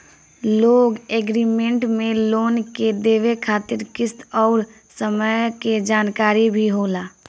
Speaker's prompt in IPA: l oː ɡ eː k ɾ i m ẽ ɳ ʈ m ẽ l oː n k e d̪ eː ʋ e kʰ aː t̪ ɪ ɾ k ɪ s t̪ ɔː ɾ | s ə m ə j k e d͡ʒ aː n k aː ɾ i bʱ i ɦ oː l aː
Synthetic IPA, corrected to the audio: l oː ɡ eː ɡ ɾ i m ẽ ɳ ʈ m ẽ l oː n k e d̪ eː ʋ e kʰ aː t̪ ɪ ɾ k ɪ s t̪ ɔː ɾ | s ə m ə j k e d͡ʒ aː n k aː ɾ i bʱ i ɦ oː l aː

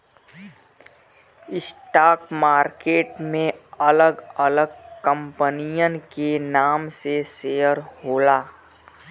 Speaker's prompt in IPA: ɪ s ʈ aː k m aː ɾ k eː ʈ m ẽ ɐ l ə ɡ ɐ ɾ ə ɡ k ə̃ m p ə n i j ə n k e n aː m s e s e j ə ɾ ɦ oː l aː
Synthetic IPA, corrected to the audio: ɪ s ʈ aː k m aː ɾ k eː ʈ m ẽ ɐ l ə ɡ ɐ l ə ɡ k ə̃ m p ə n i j ə n k e n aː m s e s e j ə ɾ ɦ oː l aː

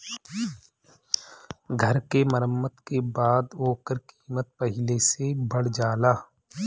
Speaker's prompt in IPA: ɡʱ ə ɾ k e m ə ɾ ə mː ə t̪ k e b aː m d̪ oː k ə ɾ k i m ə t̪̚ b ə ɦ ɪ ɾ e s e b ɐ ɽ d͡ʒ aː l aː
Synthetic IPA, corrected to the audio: ɡʱ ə ɾ k e m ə ɾ ə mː ə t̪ k e b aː d̪ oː k ə ɾ k iː m ə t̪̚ p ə ɦ ɪ l e s e b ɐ ɽ d͡ʒ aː l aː

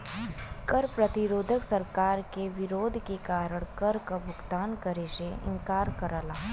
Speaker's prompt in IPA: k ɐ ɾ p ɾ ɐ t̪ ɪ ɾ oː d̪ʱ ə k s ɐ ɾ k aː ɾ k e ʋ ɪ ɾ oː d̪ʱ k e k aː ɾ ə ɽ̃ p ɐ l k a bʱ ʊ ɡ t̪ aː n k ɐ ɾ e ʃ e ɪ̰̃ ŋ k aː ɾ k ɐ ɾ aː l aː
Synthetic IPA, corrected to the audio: k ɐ ɾ p ɾ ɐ t̪ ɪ ɾ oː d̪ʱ ə k s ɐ ɾ k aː ɾ k e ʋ ɪ ɾ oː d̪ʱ k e k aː ɾ ə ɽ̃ k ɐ ɾ k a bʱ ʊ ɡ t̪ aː n k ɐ ɾ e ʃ e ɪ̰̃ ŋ k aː ɾ k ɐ ɾ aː l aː

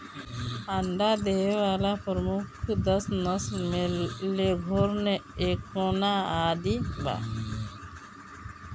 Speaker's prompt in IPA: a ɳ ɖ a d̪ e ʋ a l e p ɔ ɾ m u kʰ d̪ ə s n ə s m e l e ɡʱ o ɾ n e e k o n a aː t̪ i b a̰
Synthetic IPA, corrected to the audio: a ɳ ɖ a d̪ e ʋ a l a p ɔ ɾ m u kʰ d̪ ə s n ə s m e l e ɡʱ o ɾ n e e k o n a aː d̪ i b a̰

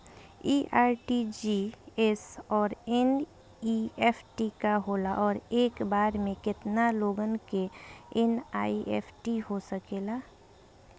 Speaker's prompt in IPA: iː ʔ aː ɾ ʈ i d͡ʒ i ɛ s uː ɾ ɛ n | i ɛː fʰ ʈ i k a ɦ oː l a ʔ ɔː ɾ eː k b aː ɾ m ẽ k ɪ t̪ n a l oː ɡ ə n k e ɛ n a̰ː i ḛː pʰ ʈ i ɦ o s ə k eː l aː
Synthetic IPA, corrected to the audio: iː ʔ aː ɾ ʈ i d͡ʒ i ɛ s ɔː ɾ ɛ n | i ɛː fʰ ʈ i k a ɦ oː l a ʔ ɔː ɾ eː k b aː ɾ m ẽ k ɪ t̪ n a l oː ɡ ə n k e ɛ n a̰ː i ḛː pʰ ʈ i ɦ o s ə k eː l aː

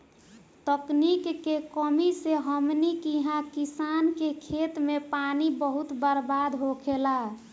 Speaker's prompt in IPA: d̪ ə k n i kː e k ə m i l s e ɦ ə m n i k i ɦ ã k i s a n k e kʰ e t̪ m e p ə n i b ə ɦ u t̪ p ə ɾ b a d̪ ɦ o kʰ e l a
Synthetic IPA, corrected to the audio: t̪ ə k n i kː e k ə m i s e ɦ ə m n i k i ɦ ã k i s a n k e kʰ e t̪ m e p a n i b ə ɦ u t̪ b ə ɾ b a d̪ ɦ o kʰ e l a

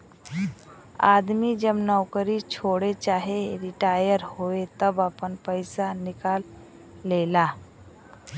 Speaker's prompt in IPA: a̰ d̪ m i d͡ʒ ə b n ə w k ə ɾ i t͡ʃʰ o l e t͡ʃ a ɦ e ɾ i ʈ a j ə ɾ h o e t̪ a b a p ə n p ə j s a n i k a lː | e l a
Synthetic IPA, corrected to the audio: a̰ d̪ m i d͡ʒ ə b n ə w k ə ɾ i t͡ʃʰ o ɽ e t͡ʃ a ɦ e ɾ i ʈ a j ə ɾ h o e t̪ ə b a p ə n p ə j s a n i k a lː | e l a

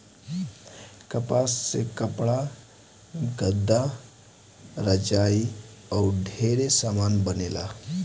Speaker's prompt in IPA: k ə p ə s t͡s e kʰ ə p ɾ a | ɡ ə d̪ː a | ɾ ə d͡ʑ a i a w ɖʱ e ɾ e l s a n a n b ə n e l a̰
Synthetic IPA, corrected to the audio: k ə p a s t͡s e k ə p ɭ a | ɡ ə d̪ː a | ɾ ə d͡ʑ a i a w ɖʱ e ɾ e s a m a n b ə n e l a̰

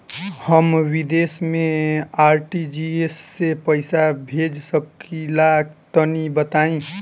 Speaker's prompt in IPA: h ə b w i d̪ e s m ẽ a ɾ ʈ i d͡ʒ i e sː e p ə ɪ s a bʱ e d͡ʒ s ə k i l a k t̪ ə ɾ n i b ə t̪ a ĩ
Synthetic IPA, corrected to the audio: h ə m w i d̪ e s m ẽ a ɾ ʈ i d͡ʒ i e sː e p ə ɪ s a bʱ e d͡ʒ s ə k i l a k t̪ ə n i b ə t̪ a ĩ

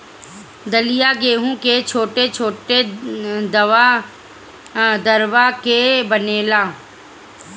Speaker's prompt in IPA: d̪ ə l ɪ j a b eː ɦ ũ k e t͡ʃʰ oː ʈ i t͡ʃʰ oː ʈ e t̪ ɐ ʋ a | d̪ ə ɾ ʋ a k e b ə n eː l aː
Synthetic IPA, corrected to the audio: d̪ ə l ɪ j a ɡ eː ɦ ũ k e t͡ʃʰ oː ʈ e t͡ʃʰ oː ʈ e d̪ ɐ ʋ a | d̪ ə ɾ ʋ a k e b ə n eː l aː

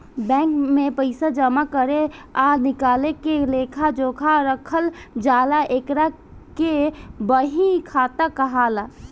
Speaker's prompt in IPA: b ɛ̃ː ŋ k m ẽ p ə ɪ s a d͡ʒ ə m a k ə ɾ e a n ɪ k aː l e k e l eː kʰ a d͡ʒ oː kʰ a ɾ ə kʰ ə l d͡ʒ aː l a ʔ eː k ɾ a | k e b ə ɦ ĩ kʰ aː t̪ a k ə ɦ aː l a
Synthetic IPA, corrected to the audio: b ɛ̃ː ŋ k m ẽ p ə ɪ s a d͡ʒ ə m a k ə ɾ e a n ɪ k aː l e k e l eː kʰ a d͡ʒ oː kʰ a ɾ ə kʰ ə l d͡ʒ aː l a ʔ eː k ɾ a | k e b ə ɦ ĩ kʰ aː t̪ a k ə ɦ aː l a

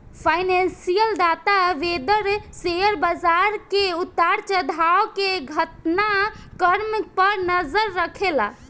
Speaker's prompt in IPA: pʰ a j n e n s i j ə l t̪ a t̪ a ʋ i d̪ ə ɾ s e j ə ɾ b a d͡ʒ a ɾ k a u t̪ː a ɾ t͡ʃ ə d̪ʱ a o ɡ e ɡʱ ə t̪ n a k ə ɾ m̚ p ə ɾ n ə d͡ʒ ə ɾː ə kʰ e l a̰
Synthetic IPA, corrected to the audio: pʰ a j n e n s i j ə l d̪ a t̪ a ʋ e d̪ ə ɾ s e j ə ɾ b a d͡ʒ a ɾ k e u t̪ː a ɾ t͡ʃ ə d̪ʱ a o k e ɡʱ ə t̪ n a k ə ɾ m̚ p ə ɾ n ə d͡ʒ ə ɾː ə kʰ e l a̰

